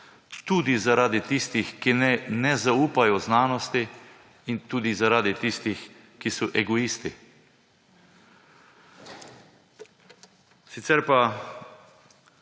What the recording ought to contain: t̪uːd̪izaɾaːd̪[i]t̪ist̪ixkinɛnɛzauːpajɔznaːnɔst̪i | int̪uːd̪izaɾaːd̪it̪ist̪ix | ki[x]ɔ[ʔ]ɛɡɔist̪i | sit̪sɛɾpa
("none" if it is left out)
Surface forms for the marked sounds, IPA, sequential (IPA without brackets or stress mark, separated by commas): i, s, ʔ